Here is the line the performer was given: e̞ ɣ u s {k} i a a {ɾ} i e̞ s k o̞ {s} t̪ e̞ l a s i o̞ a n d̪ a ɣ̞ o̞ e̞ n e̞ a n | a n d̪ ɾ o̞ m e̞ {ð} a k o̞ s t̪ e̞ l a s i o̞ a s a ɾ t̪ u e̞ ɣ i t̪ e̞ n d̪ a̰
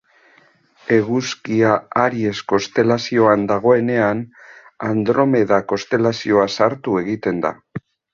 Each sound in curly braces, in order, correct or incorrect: correct, correct, correct, correct

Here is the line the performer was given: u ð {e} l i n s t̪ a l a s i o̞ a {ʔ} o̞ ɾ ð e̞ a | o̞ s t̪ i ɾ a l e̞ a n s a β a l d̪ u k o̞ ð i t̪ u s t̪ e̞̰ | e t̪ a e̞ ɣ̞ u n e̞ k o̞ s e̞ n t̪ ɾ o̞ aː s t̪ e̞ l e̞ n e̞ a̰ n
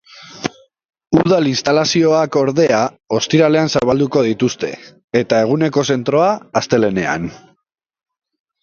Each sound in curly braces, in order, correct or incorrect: incorrect: a, incorrect: k

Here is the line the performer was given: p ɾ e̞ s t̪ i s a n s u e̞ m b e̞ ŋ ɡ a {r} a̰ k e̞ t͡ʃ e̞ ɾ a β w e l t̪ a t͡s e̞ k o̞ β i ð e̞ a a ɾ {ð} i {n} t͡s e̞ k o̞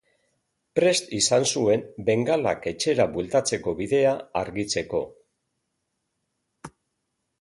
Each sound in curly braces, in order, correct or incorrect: incorrect: l, incorrect: ɣ, incorrect: none

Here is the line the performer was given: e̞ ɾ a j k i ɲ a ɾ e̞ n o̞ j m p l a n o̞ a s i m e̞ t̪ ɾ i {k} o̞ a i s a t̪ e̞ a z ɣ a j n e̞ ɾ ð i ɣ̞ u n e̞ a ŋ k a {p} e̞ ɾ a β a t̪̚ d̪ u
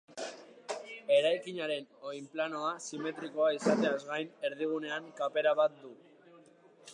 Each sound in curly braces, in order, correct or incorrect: correct, correct

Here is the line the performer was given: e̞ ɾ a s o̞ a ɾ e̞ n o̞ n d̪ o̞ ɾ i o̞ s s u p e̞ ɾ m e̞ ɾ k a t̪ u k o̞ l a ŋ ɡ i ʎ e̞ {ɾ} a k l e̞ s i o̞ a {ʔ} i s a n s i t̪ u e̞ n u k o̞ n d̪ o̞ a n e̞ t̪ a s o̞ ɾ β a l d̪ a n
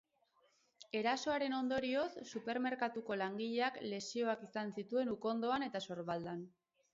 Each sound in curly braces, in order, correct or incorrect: incorrect: none, incorrect: k

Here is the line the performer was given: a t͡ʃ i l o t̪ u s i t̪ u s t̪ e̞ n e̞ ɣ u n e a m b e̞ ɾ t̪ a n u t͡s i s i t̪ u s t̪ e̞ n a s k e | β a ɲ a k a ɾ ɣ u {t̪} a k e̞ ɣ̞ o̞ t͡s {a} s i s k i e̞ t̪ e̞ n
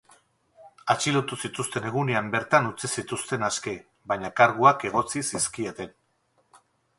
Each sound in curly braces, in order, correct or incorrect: incorrect: none, incorrect: i

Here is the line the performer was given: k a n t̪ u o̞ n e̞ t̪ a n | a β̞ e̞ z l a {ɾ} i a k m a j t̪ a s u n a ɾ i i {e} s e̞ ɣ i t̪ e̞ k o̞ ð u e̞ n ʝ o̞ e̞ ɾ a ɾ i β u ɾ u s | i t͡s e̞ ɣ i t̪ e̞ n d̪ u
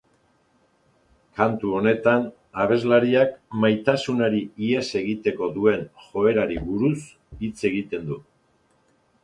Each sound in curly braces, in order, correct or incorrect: correct, correct

